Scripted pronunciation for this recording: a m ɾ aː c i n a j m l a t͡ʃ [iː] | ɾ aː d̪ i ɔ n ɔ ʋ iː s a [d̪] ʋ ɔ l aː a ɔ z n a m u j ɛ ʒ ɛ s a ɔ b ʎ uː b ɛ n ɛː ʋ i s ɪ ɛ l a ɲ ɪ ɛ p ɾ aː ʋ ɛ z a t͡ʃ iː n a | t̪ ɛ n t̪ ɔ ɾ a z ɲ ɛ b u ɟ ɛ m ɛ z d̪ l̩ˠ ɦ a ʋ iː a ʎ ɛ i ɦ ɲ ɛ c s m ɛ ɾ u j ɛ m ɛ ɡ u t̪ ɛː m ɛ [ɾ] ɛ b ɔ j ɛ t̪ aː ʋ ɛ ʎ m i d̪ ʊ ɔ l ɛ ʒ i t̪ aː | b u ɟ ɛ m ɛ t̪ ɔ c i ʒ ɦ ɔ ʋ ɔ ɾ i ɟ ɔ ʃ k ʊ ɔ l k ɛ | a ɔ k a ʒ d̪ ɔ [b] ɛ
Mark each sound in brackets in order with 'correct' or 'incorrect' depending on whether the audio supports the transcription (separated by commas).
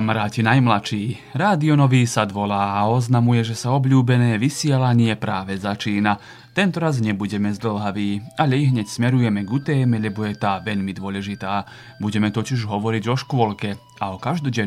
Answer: correct, correct, incorrect, incorrect